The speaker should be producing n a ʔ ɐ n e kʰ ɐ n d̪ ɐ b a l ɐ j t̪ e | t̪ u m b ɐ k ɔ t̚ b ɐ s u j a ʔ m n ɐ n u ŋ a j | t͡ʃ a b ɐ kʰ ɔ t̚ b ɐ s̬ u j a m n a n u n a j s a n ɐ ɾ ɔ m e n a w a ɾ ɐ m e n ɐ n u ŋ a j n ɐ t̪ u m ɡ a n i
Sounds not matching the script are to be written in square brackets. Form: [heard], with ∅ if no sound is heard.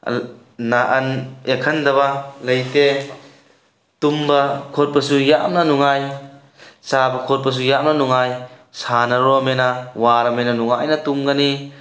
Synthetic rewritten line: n a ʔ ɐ n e kʰ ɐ n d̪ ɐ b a l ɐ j t̪ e | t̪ u m b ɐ [kʰ] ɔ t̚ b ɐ s u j a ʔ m n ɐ n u ŋ a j | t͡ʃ a b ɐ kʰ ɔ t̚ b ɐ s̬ u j a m n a n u [ŋ] a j s a n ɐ ɾ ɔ m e n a w a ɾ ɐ m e n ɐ n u ŋ a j n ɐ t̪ u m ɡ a n i